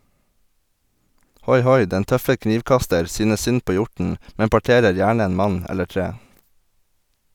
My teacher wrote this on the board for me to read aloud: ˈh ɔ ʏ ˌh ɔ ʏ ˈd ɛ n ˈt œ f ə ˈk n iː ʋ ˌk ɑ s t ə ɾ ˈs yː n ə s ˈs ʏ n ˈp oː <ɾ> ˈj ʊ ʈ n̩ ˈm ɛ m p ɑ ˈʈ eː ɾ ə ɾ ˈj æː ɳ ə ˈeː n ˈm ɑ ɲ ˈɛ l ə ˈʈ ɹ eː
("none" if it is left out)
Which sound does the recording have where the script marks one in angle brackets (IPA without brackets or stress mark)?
none